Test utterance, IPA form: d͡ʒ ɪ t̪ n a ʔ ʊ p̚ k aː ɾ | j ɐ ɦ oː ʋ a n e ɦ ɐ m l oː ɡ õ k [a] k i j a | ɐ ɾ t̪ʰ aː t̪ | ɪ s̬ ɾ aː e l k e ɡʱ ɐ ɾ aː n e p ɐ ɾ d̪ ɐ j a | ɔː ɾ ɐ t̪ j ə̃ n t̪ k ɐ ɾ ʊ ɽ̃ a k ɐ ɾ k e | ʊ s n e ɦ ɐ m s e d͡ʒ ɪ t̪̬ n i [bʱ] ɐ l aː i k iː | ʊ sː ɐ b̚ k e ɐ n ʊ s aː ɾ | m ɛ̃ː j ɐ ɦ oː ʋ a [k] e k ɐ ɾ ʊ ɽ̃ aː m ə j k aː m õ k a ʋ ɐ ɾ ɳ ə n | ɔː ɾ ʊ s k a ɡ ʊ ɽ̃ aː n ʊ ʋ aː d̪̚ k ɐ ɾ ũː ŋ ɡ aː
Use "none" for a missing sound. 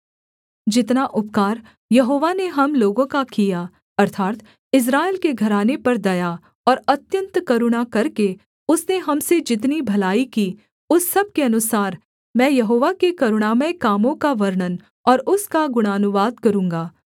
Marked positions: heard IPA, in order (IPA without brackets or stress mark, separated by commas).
a, bʱ, k